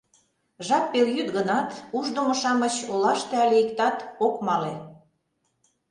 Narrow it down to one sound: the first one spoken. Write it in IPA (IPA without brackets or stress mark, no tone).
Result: ʒ